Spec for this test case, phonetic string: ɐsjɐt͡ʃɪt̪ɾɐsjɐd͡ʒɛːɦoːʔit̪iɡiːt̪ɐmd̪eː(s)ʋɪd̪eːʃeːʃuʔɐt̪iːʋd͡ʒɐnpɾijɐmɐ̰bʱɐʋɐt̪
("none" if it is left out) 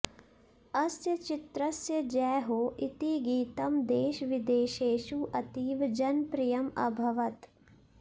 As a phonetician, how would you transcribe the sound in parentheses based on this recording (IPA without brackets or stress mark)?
ʃ